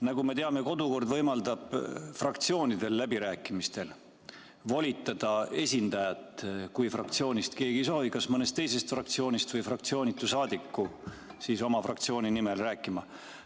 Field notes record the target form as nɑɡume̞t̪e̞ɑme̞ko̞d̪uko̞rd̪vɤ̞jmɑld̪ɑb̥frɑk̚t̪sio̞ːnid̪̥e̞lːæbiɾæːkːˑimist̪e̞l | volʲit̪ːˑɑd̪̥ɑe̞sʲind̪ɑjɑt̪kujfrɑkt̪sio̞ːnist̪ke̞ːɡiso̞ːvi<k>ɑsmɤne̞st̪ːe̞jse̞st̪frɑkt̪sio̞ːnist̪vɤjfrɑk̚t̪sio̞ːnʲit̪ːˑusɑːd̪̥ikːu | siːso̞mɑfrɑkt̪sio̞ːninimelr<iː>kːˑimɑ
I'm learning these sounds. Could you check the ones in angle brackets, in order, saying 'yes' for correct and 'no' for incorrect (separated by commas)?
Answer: yes, no